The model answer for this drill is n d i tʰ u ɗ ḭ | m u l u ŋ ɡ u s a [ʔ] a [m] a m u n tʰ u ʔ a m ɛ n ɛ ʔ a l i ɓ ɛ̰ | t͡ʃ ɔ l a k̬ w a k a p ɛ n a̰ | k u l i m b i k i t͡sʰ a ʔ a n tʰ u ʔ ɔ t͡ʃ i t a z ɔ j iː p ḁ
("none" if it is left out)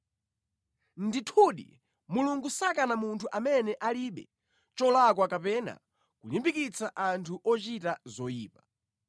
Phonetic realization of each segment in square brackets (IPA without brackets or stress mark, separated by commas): k, n